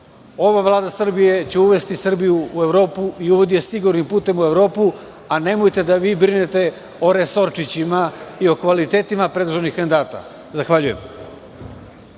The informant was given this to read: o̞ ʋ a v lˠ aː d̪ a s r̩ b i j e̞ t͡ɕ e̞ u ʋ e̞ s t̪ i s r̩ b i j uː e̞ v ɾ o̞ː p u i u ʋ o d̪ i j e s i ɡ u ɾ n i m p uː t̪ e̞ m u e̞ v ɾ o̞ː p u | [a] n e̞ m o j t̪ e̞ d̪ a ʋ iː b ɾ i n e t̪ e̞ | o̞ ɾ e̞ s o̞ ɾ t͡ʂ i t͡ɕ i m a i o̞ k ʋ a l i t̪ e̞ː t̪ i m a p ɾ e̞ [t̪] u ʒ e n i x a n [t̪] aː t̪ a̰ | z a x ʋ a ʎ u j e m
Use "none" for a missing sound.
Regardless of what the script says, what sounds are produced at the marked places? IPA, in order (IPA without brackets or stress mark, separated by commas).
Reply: a, d̪, d̪